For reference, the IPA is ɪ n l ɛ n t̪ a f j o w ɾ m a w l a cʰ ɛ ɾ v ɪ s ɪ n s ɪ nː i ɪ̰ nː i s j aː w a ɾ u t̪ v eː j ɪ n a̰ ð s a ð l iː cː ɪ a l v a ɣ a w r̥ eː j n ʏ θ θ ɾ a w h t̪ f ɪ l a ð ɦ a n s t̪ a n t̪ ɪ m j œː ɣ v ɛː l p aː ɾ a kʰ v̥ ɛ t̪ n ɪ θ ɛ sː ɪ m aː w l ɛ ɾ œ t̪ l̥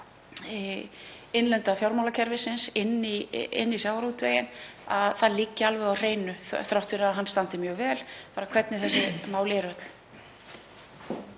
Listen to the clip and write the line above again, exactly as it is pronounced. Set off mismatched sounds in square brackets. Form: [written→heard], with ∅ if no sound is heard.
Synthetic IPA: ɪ n l ɛ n t̪ a f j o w ɾ m a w l a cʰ ɛ ɾ v ɪ s ɪ n s ɪ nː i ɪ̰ nː i s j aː w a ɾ u t̪ v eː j ɪ n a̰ ð [s→θ] a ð l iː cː ɪ a l v [a→ɛ] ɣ a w r̥ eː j n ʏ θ θ ɾ a w h t̪ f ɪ [l→ɾ] a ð ɦ a n s t̪ a n t̪ ɪ m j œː ɣ v ɛː l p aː ɾ a kʰ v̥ ɛ t̪ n ɪ θ ɛ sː ɪ m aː w l ɛ ɾ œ t̪ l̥